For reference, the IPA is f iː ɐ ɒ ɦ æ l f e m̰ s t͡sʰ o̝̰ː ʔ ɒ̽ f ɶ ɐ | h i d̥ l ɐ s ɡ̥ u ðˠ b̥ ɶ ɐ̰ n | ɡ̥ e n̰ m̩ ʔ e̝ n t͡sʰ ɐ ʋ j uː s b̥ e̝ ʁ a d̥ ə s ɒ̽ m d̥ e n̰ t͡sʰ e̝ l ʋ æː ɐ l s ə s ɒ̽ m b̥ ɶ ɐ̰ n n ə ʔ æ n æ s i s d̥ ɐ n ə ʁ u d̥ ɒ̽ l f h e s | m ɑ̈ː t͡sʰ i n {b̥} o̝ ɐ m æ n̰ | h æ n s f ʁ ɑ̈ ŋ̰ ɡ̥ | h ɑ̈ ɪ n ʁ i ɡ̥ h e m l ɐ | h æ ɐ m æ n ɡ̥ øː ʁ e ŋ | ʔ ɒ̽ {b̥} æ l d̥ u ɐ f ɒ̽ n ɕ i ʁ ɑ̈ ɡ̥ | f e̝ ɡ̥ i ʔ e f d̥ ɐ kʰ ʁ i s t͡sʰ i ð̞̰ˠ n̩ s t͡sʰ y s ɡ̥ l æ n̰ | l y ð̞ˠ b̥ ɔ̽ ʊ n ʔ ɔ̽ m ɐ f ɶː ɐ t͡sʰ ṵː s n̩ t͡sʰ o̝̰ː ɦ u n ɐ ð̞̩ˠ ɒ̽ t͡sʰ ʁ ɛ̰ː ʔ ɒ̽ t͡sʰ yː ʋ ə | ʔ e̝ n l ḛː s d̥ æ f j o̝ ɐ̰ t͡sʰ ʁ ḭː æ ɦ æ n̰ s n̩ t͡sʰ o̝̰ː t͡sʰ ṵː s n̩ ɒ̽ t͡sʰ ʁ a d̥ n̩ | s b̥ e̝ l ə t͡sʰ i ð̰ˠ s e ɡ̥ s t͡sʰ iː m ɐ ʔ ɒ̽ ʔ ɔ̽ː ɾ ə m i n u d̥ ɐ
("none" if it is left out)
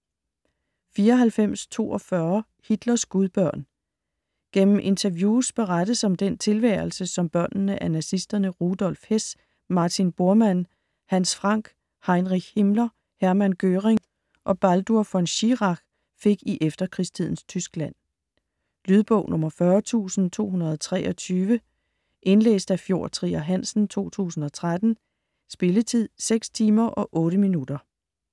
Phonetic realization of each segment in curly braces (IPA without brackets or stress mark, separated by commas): b̥, b̥